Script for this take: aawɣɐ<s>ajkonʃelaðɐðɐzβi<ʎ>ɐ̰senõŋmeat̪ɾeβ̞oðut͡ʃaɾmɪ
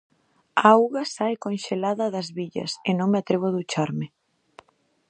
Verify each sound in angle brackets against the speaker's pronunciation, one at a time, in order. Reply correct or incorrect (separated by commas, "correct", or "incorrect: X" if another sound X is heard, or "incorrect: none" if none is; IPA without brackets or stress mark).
correct, correct